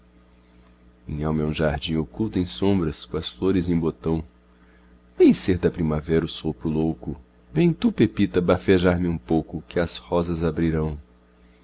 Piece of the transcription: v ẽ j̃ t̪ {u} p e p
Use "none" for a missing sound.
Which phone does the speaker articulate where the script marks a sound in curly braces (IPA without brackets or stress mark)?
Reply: u